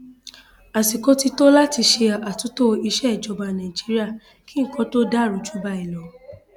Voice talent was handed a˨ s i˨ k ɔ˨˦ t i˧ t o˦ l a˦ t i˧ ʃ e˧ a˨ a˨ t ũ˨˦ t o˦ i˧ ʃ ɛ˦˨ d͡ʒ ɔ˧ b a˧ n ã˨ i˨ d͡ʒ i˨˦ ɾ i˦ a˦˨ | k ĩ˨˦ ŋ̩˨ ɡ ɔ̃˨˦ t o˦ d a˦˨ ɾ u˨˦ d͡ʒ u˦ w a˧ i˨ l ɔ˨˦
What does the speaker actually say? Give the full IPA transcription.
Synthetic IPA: a˨ s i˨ k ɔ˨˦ t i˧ t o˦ l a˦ t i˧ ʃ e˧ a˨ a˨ t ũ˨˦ t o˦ i˧ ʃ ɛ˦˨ d͡ʒ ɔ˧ b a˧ n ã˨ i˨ d͡ʒ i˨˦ ɾ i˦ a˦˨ | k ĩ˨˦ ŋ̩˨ k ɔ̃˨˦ t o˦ d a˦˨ ɾ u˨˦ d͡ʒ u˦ b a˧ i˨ l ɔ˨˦